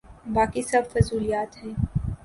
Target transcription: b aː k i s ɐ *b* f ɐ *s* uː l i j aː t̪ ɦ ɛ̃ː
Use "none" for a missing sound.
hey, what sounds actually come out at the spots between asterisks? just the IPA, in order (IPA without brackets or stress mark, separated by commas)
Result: b, z